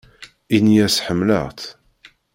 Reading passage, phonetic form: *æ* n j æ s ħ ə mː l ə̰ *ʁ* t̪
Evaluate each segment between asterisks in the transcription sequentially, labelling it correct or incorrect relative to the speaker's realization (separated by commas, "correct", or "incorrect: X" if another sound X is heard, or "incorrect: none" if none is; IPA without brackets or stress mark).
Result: incorrect: i, correct